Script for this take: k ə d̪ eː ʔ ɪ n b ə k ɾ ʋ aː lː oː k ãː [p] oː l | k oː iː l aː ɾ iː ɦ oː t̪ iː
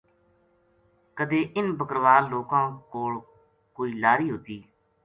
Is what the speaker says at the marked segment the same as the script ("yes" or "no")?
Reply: no